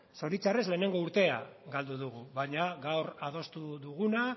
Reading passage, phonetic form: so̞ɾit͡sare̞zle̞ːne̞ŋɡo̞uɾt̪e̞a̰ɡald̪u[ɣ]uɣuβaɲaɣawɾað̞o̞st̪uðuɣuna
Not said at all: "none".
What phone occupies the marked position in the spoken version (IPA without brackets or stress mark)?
ð